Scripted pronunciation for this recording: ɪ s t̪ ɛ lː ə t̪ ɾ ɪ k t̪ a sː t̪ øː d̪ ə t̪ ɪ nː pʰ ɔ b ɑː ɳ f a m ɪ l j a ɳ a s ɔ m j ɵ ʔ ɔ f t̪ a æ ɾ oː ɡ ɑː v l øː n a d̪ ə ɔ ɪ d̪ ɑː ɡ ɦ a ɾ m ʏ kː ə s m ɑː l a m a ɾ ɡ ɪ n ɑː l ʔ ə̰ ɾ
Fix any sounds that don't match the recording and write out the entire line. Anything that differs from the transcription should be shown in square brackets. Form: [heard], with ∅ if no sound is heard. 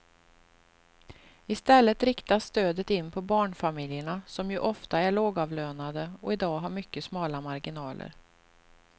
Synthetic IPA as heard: ɪ s t̪ ɛ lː ə t̪ ɾ ɪ k t̪ a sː t̪ øː d̪ ə t̪ ɪ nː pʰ ɔ b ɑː ɳ f a m ɪ l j [ə] ɳ a s ɔ m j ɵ ʔ ɔ f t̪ a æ [ɭ] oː ɡ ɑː v l øː n a d̪ ə ɔ ɪ d̪ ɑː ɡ ɦ a ɾ m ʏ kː ə s m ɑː l a m a ɾ ɡ ɪ n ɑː l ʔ ə̰ ɾ